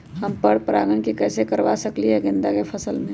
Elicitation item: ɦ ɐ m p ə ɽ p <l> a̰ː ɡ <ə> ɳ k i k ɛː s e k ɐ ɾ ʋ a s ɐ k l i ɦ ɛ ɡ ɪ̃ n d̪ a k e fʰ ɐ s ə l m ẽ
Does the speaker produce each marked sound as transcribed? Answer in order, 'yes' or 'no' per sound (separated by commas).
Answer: no, yes